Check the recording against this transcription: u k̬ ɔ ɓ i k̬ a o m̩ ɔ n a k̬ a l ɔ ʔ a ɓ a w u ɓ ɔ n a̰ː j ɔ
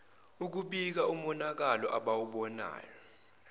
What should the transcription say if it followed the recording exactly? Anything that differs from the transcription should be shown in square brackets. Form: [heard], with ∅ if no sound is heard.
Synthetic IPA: u k̬ [u] ɓ i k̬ a [u] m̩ ɔ n a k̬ a l ɔ ʔ a ɓ a w u ɓ ɔ n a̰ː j ɔ